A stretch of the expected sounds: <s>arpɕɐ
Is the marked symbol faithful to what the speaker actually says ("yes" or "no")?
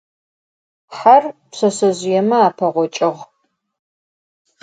no